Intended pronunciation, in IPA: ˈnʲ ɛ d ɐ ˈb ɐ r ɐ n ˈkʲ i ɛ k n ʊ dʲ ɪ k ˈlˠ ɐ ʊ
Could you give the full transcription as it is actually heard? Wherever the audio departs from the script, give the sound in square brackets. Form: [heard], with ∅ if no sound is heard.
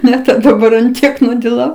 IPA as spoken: ˈnʲ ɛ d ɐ ˈb ɐ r ɐ n [ˈtʲ] i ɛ k n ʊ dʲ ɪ [∅] ˈlˠ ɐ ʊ